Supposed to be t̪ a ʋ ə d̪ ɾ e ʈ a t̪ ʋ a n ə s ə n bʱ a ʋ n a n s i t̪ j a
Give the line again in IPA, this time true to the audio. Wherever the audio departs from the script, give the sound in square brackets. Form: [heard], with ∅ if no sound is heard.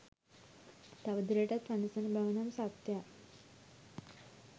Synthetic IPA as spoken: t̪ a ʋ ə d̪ ɾ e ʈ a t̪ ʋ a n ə s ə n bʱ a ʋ n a [m] s [a] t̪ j a